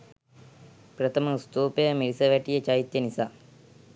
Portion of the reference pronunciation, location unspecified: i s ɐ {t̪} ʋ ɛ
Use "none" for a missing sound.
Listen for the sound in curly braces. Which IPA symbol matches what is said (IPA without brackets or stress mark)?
none